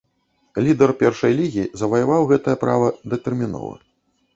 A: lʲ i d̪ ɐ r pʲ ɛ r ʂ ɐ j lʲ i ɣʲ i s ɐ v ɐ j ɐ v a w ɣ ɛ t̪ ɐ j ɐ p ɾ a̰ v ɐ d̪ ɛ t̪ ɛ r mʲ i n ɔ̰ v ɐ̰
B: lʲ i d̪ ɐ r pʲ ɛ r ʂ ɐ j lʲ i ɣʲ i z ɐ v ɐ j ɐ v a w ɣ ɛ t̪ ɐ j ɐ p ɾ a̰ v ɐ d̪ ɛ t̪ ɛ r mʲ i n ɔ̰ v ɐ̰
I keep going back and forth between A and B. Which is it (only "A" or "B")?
B